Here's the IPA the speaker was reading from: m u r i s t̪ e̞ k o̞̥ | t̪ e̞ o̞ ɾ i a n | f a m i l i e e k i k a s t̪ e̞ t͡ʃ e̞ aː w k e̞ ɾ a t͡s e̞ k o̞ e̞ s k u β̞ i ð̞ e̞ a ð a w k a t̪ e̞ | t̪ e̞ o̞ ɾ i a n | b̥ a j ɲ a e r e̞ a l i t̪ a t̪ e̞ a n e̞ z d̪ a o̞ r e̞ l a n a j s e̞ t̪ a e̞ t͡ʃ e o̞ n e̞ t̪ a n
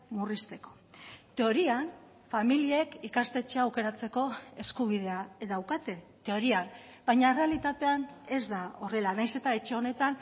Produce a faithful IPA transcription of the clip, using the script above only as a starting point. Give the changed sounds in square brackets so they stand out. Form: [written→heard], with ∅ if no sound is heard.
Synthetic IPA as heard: m u r i s t̪ e̞ k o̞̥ | t̪ e̞ o̞ ɾ i a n | f a m i l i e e k i k a s t̪ e̞ t͡ʃ e̞ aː w k e̞ ɾ a t͡s e̞ k o̞ e̞ s k u β̞ i ð̞ e̞ a ð a w k a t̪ e̞ | t̪ e̞ o̞ ɾ i a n | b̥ a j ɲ a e r e̞ a l i t̪ a t̪ e̞ a n e̞ z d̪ a o̞ r e̞ l a n a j s e̞ t̪ a e̞ t͡ʃ e o̞ n e̞ t̪ a n